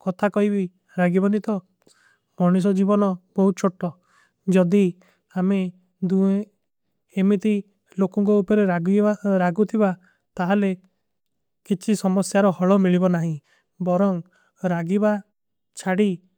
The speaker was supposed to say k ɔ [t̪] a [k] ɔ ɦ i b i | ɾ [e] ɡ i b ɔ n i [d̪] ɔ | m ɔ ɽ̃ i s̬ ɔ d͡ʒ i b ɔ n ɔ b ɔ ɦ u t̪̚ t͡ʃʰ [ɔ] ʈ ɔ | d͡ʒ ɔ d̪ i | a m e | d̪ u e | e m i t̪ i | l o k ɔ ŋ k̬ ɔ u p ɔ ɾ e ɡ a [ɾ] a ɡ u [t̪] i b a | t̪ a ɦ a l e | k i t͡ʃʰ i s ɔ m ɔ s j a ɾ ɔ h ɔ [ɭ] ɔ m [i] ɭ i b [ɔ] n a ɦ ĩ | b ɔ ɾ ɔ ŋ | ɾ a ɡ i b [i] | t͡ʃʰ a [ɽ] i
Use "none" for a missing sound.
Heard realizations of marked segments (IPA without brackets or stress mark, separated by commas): t̪ʰ, k, a, t̪, o, ɾ, t̪ʰ, ɭ, i, ɔ, a, ɽ